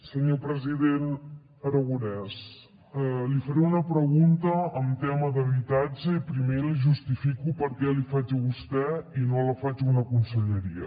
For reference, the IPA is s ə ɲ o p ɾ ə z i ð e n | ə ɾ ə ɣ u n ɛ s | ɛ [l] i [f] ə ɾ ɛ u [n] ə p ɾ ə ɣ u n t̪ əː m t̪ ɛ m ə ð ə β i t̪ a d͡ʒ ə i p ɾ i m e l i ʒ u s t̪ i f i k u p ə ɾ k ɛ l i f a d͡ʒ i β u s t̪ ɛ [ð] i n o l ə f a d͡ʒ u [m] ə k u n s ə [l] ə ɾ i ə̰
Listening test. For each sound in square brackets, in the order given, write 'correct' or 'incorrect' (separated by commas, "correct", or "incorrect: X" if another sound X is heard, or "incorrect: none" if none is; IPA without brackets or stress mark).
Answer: correct, correct, correct, incorrect: none, incorrect: n, incorrect: ʎ